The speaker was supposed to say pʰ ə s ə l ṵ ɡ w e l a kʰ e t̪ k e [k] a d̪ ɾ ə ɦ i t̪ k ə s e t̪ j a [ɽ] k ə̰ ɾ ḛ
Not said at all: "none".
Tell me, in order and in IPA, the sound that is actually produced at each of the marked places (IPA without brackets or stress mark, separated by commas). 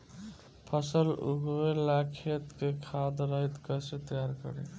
kʰ, ɾ